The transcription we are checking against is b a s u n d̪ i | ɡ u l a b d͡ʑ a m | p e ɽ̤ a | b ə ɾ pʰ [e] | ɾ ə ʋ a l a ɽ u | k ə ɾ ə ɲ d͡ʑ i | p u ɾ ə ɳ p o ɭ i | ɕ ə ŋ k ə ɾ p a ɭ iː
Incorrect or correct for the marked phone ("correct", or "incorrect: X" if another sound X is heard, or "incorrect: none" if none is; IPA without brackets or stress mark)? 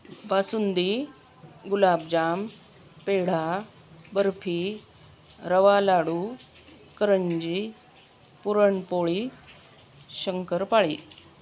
incorrect: i